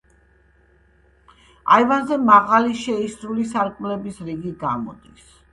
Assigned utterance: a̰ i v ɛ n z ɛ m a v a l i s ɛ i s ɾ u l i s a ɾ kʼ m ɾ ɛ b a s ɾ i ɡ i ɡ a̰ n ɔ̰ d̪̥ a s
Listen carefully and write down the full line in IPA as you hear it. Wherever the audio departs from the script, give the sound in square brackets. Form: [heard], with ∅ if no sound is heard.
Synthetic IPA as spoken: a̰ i v [a] n z ɛ m a [ʁ] a l i [ʃ] ɛ i s ɾ u l i s a ɾ kʼ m [l] ɛ b [i] s ɾ i ɡ i ɡ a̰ [m] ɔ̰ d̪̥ [i] s